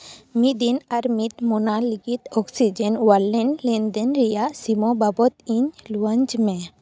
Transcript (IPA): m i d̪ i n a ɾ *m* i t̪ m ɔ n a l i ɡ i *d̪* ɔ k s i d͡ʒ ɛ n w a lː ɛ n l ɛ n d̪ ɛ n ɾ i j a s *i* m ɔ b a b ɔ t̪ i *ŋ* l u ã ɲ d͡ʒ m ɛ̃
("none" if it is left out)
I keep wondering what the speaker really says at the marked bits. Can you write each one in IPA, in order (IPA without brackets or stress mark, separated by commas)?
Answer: m, t̪, i, ɲ